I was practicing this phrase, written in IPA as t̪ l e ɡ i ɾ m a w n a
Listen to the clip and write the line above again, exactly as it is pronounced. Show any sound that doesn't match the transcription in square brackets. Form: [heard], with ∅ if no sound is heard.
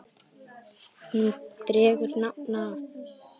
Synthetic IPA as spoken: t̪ [ɾ] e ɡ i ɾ [n] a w n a